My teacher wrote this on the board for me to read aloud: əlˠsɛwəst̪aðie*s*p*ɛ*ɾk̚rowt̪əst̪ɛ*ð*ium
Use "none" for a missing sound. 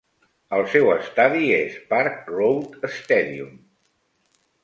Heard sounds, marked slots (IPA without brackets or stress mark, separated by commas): s, a, ð